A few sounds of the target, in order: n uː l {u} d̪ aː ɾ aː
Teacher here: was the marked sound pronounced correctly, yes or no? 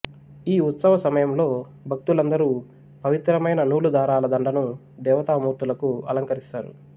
yes